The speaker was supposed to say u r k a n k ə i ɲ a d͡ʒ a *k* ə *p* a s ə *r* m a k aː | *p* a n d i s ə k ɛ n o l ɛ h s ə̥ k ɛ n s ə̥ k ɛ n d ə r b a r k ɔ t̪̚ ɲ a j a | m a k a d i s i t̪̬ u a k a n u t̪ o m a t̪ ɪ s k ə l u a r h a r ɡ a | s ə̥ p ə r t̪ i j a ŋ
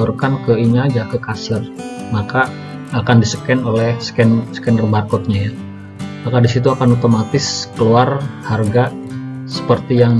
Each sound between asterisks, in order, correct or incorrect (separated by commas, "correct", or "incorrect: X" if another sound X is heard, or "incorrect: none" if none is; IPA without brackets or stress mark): correct, incorrect: k, correct, incorrect: k